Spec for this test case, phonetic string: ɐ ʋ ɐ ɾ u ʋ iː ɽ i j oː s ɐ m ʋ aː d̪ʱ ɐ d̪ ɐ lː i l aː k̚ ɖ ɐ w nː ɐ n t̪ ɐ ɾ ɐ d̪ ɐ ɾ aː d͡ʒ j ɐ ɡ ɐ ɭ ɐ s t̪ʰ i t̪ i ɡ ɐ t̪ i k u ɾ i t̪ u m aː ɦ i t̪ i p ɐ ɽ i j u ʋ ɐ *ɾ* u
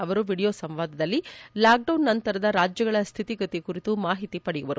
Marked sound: correct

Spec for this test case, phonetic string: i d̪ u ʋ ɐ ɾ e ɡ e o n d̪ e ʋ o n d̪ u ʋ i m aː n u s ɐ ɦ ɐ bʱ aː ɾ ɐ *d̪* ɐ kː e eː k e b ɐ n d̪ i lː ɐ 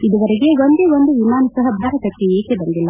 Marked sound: incorrect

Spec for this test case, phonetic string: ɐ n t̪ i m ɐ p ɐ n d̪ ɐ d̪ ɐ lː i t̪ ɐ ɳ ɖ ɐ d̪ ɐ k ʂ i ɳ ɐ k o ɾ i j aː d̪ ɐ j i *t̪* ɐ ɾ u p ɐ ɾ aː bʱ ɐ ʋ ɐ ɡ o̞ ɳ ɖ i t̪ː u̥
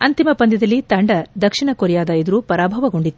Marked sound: incorrect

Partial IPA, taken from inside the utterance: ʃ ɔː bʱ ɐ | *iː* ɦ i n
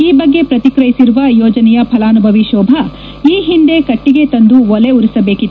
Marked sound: correct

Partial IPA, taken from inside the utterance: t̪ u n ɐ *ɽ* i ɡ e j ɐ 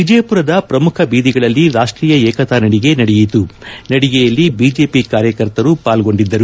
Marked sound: correct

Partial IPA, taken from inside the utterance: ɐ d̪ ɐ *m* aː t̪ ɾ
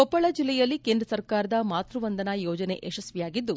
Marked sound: correct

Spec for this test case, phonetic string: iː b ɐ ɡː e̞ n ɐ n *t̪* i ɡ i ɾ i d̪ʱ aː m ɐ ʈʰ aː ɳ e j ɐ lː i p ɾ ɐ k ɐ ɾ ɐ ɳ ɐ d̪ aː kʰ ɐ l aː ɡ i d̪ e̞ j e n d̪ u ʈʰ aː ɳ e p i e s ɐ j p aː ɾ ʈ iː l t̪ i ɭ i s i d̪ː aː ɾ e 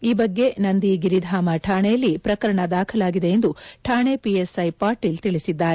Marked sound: incorrect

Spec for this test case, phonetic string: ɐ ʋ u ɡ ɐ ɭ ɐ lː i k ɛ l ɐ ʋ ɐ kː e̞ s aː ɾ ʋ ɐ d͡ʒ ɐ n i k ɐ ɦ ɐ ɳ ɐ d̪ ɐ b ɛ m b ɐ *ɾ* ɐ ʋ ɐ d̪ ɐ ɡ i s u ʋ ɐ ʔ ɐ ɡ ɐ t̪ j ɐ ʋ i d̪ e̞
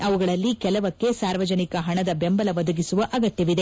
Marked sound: incorrect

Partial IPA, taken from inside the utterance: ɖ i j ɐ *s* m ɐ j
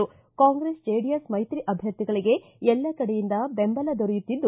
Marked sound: correct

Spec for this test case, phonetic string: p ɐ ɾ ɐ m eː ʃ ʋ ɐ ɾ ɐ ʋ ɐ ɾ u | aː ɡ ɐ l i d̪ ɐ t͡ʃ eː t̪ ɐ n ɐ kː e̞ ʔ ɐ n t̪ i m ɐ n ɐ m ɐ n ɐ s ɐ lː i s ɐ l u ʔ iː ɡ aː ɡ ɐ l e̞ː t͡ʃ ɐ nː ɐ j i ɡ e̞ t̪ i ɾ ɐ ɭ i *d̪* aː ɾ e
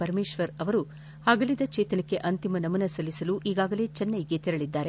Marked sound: incorrect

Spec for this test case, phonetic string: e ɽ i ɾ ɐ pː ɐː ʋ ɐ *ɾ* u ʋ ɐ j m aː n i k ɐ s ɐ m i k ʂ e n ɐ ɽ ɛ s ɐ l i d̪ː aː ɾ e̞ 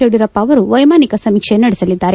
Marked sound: correct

